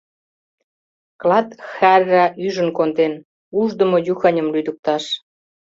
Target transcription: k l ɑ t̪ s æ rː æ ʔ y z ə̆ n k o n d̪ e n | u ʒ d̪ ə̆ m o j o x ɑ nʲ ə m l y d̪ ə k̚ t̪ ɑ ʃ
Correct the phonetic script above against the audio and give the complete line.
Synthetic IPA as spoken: k l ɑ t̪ x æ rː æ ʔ y ʒ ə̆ n k o n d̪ e n | u ʒ d̪ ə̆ m o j u x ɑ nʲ ə m l y d̪ ə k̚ t̪ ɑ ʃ